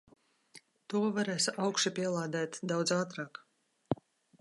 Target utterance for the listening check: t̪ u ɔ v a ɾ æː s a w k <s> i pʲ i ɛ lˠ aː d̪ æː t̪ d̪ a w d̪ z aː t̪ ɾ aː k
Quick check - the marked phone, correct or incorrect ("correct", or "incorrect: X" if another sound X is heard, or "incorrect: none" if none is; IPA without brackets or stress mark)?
incorrect: ʃ